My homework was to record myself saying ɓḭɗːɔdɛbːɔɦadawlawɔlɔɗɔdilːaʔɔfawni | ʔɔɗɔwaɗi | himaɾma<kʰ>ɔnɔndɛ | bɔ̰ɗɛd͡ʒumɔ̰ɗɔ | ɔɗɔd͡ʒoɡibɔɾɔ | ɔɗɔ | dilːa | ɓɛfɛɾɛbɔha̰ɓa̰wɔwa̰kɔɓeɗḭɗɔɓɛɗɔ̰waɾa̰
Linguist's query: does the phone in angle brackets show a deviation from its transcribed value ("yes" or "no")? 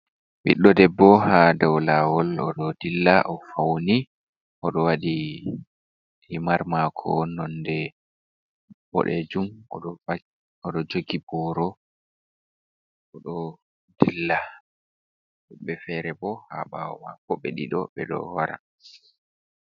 no